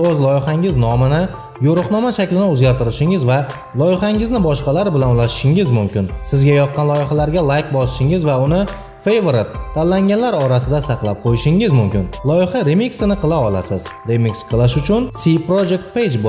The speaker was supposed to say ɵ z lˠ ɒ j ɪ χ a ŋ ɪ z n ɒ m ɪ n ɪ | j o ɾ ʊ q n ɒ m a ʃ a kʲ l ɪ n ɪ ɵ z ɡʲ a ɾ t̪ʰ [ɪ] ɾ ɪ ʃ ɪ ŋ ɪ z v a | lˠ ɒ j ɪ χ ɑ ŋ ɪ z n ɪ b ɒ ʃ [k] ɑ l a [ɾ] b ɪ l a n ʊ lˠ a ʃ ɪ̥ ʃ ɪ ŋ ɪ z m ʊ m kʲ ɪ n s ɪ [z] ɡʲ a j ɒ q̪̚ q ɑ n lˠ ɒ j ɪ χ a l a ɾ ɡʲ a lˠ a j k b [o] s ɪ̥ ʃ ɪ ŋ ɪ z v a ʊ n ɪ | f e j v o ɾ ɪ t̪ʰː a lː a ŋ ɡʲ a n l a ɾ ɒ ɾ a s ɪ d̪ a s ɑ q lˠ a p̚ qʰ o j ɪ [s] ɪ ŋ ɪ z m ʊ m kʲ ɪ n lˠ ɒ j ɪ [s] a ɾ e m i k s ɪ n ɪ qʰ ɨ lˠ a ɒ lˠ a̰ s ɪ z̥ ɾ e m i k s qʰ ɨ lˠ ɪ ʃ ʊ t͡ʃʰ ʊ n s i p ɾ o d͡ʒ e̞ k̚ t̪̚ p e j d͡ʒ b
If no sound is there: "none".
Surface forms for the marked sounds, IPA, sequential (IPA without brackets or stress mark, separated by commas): ɪ, q, ɾ, z, ɒ, ʃ, χ